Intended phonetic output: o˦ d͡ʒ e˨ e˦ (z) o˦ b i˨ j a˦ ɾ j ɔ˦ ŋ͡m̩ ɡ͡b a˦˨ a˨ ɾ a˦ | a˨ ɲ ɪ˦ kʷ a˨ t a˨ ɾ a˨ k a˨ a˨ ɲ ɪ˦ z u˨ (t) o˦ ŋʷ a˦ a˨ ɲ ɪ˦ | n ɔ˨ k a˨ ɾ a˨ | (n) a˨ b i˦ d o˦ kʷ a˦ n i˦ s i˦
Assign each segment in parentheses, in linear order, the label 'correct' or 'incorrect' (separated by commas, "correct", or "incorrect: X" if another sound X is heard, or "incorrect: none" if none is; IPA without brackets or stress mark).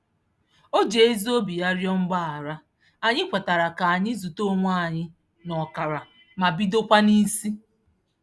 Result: correct, correct, incorrect: m